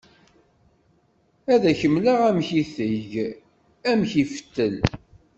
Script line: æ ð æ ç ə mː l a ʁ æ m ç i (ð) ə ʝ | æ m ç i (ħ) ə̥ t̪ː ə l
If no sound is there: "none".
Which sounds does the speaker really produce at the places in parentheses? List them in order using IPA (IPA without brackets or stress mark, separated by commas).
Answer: θ, f